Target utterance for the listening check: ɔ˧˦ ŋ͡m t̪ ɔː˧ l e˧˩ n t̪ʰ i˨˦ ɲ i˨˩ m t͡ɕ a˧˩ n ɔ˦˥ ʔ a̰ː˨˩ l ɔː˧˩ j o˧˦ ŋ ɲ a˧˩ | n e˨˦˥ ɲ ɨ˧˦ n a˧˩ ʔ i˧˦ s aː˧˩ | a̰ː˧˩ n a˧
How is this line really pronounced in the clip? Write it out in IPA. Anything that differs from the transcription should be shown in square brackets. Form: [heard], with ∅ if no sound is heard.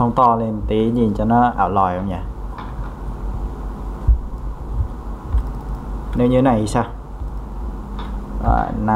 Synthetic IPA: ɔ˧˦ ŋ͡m t̪ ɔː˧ l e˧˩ n [t̪] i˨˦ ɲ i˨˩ [n] t͡ɕ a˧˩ n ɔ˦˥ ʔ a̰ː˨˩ l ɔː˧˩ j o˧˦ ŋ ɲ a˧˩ | n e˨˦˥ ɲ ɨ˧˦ n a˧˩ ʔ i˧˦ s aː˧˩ | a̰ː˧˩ n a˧